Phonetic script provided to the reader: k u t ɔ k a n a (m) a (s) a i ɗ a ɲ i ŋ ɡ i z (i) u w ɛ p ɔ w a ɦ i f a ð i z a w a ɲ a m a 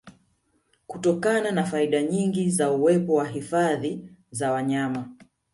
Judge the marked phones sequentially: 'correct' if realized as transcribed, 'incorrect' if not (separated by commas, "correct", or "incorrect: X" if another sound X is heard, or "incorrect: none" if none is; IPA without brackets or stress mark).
incorrect: n, incorrect: f, incorrect: a